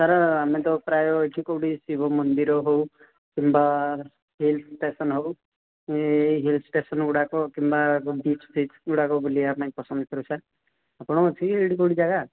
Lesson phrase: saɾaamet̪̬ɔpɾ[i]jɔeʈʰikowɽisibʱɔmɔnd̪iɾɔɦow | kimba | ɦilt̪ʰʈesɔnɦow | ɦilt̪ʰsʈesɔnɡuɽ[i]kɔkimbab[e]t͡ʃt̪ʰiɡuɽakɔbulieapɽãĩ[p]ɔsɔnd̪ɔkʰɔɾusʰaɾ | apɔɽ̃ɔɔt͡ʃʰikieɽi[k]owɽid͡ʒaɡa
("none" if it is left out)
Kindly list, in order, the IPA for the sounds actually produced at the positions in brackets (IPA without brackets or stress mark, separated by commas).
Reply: a, a, i, p, k